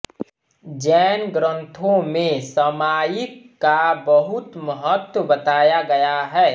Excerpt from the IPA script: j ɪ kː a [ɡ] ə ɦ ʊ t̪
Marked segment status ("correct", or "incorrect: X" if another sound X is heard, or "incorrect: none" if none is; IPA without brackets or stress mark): incorrect: b